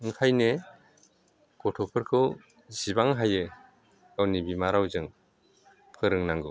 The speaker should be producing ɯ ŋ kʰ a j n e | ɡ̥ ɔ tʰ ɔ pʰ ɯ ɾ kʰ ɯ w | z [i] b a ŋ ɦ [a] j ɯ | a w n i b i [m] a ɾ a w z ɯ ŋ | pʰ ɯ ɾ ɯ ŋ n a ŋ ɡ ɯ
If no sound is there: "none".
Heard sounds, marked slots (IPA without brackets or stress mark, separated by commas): i, a, m